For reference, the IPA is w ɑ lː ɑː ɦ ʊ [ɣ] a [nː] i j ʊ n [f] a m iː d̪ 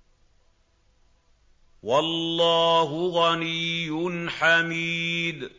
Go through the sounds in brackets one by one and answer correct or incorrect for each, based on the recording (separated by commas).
correct, incorrect, incorrect